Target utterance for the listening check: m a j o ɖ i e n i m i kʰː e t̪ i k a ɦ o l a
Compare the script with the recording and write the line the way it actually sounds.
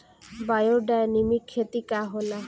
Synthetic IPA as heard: b a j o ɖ a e n i m i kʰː e t̪ i k a ɦ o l a